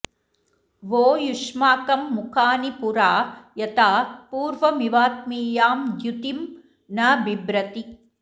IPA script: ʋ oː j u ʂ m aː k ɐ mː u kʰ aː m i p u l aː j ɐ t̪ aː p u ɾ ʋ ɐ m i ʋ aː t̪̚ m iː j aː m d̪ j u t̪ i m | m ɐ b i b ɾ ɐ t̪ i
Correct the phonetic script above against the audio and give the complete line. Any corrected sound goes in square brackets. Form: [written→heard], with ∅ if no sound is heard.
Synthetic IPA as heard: ʋ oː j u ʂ m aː k ɐ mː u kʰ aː [m→n] i p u [l→ɾ] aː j ɐ t̪ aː p [u→uː] ɾ ʋ ɐ m i ʋ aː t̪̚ m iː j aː m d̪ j u t̪ i m | [m→n] ɐ b i b ɾ ɐ t̪ i